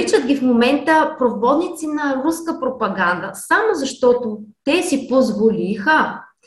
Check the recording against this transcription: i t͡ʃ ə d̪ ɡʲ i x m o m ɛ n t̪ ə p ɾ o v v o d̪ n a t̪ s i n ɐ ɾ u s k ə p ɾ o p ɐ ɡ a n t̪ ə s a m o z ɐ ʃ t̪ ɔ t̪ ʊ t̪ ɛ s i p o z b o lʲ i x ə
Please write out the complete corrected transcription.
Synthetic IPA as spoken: i t͡ʃ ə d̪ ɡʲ i f m o m ɛ n t̪ ə p ɾ o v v ɔ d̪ n i t̪ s i n ɐ ɾ u s k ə p ɾ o p ɐ ɡ a n d̪ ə s a m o z ɐ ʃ t̪ ɔ t̪ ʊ t̪ ɛ s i p o z v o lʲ i x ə